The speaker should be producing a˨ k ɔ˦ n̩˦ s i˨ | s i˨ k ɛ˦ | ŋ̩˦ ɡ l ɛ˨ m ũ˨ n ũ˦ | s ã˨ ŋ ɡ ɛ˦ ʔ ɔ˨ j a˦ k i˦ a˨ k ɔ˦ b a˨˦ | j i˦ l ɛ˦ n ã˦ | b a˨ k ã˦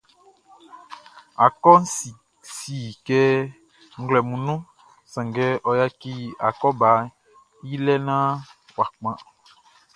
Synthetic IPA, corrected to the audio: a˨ k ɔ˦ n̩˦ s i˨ | s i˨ k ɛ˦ | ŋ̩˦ ɡ l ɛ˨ m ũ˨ n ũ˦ | s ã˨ ŋ ɡ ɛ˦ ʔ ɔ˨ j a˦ k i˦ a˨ k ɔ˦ b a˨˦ | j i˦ l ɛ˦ n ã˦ | w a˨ k͡p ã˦